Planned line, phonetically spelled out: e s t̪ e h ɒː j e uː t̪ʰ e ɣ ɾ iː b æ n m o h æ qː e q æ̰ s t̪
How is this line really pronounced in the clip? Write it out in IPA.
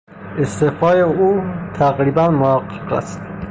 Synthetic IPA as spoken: e s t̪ e f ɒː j e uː t̪ʰ æ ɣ ɾ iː b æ n m o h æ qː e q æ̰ s t̪

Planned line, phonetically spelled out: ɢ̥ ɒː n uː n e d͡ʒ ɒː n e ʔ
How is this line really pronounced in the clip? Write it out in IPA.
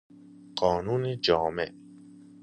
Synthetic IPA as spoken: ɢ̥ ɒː n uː n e d͡ʒ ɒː m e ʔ

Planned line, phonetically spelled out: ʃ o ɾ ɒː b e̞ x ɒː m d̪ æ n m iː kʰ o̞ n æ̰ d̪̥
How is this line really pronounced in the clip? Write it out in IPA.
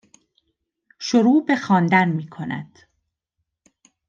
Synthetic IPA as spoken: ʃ o ɾ uː b e̞ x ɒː n d̪ æ n m iː kʰ o̞ n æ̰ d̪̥

